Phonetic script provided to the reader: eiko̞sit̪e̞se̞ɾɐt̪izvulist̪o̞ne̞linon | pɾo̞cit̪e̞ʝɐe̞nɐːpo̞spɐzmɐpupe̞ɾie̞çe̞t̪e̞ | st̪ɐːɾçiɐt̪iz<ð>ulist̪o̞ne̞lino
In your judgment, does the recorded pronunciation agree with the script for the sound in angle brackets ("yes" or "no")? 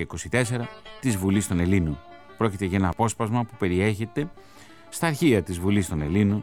no